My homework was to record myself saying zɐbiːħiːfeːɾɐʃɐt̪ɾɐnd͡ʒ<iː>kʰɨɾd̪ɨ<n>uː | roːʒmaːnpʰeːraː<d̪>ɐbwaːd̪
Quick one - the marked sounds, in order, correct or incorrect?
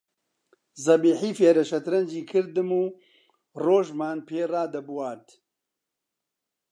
correct, incorrect: m, correct

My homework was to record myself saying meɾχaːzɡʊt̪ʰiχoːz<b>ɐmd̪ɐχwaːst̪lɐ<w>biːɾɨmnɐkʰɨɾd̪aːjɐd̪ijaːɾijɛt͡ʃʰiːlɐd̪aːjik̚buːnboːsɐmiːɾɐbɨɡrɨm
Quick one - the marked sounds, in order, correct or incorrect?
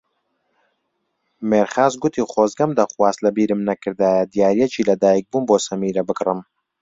incorrect: ɡ, incorrect: none

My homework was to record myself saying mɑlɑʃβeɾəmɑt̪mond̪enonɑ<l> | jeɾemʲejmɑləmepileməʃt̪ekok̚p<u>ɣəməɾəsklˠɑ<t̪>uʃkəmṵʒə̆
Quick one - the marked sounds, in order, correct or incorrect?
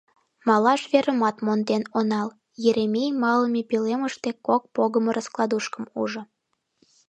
correct, incorrect: o, incorrect: d̪

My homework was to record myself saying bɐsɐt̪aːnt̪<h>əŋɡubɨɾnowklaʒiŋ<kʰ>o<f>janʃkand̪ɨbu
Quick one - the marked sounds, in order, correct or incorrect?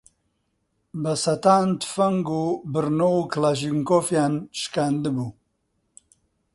incorrect: f, incorrect: k, correct

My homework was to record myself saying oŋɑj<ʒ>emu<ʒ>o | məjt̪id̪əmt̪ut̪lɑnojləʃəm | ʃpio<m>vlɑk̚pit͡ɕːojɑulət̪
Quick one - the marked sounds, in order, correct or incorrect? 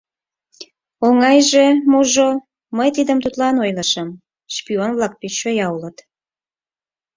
correct, correct, incorrect: n

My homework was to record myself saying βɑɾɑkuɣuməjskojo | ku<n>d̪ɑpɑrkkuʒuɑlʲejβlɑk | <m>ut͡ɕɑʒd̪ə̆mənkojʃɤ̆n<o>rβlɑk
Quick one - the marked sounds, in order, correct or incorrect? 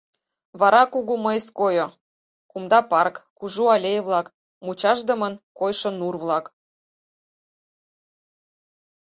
incorrect: m, correct, incorrect: u

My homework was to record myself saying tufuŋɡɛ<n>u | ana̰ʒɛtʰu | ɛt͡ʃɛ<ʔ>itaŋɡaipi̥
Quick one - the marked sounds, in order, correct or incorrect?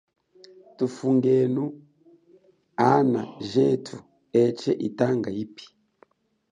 correct, correct

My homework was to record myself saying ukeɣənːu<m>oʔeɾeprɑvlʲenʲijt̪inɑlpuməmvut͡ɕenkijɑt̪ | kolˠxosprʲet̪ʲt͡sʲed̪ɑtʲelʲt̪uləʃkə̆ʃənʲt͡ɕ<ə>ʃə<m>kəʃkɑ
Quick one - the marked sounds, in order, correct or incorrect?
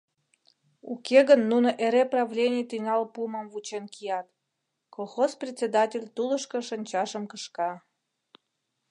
incorrect: n, incorrect: ɑ, correct

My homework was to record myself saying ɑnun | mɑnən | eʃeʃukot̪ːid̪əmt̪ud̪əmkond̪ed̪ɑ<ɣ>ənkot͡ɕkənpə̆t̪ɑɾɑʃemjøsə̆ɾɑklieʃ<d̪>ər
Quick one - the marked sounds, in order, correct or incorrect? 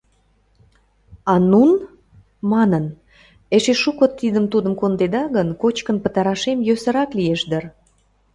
correct, correct

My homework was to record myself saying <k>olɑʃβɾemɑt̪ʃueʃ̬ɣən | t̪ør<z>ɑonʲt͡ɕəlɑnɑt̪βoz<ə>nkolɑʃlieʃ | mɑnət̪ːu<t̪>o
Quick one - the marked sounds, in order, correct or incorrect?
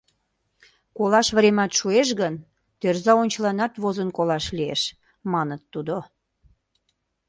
correct, correct, correct, incorrect: d̪

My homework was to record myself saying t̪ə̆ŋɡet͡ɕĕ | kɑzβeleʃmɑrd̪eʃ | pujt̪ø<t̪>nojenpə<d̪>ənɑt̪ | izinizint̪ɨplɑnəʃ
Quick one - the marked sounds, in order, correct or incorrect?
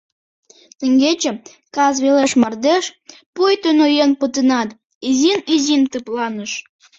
incorrect: none, incorrect: t̪

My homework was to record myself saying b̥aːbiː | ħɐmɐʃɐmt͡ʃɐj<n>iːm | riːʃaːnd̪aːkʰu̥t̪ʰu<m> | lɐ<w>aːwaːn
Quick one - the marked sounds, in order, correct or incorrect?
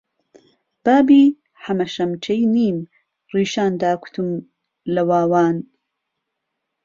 correct, correct, correct

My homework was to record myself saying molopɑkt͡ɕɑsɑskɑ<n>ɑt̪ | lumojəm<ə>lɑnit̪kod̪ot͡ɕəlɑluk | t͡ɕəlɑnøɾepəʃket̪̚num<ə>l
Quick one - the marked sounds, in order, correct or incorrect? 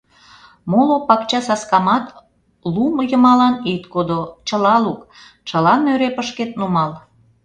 incorrect: m, incorrect: ɑ, incorrect: ɑ

